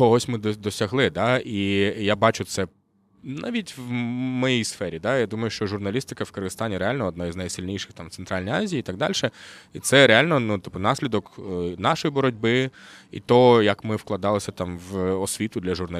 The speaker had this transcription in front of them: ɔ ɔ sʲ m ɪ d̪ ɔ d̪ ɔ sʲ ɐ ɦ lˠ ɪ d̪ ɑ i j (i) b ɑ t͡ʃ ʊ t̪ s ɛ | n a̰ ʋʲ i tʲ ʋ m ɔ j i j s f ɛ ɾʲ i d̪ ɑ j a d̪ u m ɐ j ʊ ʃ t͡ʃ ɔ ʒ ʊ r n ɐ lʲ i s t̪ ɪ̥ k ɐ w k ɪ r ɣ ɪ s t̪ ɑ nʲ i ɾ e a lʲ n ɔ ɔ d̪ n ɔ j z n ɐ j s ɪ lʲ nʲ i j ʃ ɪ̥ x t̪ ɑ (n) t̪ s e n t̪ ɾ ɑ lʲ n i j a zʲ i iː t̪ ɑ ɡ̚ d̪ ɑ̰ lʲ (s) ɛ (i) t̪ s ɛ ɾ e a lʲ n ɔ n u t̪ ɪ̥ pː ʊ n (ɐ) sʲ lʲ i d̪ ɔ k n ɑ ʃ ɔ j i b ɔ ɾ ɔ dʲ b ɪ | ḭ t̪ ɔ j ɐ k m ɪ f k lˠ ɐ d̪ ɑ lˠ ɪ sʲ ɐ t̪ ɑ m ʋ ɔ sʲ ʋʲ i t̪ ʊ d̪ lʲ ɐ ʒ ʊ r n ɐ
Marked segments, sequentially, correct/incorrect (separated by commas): incorrect, incorrect, incorrect, correct, incorrect